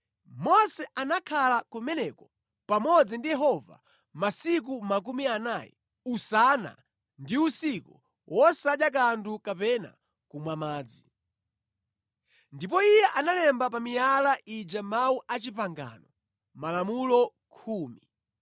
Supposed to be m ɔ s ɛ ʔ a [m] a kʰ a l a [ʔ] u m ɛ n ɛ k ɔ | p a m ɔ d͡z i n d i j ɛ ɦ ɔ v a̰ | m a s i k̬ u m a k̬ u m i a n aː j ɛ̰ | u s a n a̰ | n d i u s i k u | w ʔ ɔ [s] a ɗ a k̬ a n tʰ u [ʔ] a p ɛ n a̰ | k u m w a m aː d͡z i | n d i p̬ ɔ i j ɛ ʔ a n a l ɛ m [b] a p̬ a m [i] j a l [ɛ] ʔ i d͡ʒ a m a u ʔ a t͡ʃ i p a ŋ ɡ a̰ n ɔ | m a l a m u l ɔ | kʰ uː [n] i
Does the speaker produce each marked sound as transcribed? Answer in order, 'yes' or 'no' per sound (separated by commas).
no, no, yes, no, yes, yes, no, no